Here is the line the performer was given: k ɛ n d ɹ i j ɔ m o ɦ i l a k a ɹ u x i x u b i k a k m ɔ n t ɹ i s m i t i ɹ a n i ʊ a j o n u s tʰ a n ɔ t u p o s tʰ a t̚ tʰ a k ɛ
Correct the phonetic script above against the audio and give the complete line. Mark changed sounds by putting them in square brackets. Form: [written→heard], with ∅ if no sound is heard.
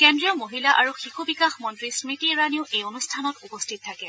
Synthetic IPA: k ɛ n d ɹ i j ɔ m o ɦ i l a [k→ʔ] a ɹ u x i x u b i k a [k→x] m ɔ n t ɹ i s m i t i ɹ a n i ʊ [a→e] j o n u s tʰ a n ɔ t u p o s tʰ [a→i] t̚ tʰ a k ɛ